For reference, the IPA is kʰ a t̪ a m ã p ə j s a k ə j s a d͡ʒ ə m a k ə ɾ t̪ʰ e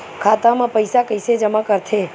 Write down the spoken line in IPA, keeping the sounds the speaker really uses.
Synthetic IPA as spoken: kʰ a t̪ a m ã p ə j s a k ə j s e d͡ʒ ə m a k ə ɾ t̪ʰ e